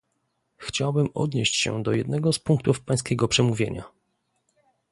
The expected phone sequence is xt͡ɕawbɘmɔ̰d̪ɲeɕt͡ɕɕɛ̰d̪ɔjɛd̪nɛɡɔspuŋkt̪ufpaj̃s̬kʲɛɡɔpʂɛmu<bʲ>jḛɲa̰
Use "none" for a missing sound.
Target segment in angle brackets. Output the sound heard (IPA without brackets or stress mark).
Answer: vʲ